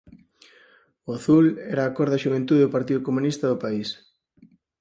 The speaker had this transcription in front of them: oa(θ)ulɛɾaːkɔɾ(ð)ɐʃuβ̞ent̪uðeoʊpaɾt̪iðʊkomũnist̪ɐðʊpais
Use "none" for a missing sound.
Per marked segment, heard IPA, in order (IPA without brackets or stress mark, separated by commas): θ, ð